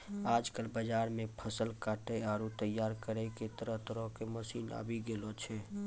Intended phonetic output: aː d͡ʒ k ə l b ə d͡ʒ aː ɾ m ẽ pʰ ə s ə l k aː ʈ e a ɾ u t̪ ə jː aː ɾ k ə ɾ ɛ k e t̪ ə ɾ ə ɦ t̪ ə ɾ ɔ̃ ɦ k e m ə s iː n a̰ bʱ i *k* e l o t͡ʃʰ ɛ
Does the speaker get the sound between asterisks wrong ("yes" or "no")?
yes